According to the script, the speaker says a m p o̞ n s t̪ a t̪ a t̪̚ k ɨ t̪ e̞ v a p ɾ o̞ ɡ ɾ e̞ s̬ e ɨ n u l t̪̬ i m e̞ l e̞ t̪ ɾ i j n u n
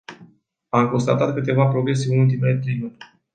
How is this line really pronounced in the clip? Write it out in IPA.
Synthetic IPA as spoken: a m k o̞ n s t̪ a t̪ a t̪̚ k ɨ t̪ e̞ v a p ɾ o̞ ɡ ɾ e̞ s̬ e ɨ n u l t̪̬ i m e̞ l e̞ t̪ ɾ e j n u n